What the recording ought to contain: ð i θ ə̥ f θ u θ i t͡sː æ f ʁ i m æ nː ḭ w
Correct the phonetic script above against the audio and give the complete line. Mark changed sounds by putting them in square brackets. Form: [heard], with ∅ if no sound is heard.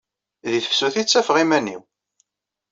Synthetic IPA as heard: ð i θ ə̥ f [s] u θ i t͡sː æ f ʁ i m æ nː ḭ w